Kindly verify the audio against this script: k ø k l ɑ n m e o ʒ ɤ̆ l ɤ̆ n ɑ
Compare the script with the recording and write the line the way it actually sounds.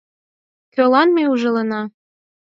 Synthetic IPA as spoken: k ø l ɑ n m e u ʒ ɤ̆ l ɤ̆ n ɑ

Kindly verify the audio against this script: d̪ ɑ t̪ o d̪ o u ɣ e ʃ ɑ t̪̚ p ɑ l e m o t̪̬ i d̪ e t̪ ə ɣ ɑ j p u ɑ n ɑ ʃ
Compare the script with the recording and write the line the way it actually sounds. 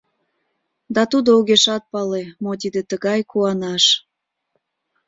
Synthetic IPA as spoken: d̪ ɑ t̪ u d̪ o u ɣ e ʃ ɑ t̪̚ p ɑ l e m o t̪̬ i d̪ e t̪ ə ɣ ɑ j k u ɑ n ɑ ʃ

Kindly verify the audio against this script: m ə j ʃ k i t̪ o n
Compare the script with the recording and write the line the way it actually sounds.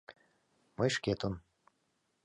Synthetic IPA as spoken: m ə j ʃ k e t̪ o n

